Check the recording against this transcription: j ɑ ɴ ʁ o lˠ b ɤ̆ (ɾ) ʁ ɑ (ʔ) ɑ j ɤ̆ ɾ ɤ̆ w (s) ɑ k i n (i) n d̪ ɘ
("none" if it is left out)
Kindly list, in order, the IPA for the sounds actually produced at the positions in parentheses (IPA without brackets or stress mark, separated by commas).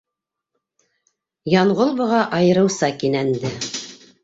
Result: none, ʔ, s, æ